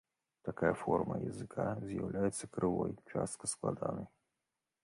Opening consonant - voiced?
no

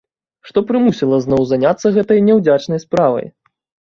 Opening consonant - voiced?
no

